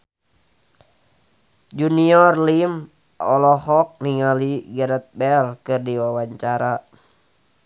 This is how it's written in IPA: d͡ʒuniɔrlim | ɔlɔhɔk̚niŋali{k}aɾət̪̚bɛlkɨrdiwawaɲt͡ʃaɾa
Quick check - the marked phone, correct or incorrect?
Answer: incorrect